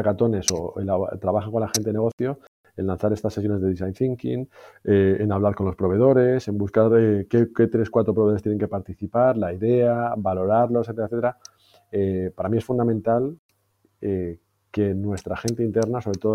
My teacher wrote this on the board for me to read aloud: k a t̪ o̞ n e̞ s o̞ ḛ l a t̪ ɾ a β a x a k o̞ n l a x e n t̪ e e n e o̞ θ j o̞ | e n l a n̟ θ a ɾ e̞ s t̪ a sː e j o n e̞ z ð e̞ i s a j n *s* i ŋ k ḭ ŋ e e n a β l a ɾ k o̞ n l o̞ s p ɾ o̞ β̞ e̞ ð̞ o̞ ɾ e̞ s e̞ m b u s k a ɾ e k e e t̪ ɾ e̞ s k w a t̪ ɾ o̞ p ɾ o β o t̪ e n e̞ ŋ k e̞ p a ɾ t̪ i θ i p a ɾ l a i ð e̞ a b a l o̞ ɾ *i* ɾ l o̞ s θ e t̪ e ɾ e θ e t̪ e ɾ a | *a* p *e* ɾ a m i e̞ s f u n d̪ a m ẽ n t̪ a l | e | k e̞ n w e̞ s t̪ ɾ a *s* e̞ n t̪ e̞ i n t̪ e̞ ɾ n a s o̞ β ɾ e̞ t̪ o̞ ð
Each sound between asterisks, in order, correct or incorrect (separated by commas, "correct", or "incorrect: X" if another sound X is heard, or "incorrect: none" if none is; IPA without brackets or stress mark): incorrect: θ, incorrect: a, incorrect: e, incorrect: a, incorrect: x